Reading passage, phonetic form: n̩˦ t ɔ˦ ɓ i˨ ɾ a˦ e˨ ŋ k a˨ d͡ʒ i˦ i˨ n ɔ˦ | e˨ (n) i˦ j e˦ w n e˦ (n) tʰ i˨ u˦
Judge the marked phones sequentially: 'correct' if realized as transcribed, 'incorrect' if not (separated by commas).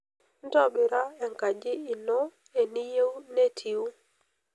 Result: correct, incorrect